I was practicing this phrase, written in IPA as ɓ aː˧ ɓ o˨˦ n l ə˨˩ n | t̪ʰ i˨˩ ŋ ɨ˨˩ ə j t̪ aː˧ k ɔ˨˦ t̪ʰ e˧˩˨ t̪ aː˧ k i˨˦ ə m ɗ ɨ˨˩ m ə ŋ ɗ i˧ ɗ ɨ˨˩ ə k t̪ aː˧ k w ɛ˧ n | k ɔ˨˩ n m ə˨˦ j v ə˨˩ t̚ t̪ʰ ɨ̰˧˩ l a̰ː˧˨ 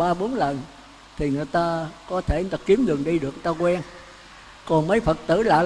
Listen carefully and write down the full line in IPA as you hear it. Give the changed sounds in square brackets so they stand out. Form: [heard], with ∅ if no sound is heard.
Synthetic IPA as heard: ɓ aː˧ ɓ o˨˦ n l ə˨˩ n | t̪ʰ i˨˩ ŋ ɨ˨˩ ə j t̪ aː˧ k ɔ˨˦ t̪ʰ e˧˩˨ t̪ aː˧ k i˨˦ ə m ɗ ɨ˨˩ [∅] ə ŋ ɗ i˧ ɗ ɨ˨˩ ə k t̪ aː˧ k w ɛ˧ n | k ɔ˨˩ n m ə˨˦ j [f] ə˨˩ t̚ [t̪] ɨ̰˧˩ l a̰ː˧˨